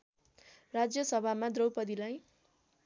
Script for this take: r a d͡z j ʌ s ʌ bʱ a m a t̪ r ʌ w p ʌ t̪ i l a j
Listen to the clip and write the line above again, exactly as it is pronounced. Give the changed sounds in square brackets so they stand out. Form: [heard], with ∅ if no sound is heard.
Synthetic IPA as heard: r a d͡z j ʌ s ʌ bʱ a m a [d̪] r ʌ w p ʌ [d̪] i l a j